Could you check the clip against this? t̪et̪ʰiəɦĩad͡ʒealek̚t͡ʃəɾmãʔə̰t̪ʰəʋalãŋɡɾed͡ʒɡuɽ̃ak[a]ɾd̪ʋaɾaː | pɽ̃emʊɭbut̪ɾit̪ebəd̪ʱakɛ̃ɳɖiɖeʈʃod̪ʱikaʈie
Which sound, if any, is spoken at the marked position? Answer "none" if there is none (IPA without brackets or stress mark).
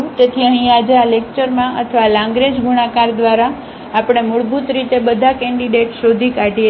a